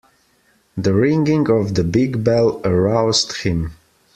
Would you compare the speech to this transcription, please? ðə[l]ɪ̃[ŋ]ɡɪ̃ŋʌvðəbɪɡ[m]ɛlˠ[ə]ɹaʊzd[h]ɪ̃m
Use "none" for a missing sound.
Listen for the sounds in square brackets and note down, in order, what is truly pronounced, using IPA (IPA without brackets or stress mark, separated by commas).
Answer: ɹ, ŋ, b, ə, h